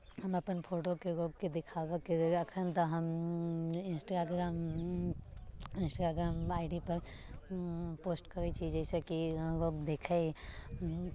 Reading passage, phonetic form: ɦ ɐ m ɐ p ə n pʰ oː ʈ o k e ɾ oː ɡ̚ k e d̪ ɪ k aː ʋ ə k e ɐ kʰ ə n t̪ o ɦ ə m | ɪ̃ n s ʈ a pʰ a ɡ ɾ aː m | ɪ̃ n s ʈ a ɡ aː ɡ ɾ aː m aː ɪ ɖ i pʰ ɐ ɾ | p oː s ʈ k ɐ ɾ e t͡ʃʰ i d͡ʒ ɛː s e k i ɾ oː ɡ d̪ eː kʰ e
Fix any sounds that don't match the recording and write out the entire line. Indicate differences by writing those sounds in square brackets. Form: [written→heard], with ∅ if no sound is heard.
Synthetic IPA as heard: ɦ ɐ m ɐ p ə n pʰ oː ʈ o k e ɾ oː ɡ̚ k e d̪ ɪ [k→kʰ] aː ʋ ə k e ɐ kʰ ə n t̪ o ɦ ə m | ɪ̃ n s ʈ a [pʰ→∅] a ɡ ɾ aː m | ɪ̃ n s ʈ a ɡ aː ɡ ɾ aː m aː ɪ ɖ i [pʰ→p] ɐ ɾ | p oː s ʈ k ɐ ɾ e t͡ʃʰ i d͡ʒ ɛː s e k i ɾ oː ɡ d̪ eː kʰ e